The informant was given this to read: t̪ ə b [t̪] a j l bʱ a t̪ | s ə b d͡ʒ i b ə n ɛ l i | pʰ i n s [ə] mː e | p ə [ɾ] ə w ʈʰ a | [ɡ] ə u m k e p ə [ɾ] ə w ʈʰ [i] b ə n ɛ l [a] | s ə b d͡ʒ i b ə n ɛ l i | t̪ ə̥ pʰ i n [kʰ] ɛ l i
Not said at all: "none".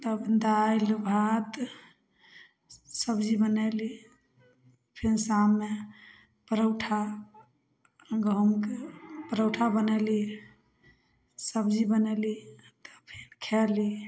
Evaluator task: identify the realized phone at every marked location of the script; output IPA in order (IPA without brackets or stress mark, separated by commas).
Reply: d̪, a, ɾ, ɡ, ɾ, a, i, kʰ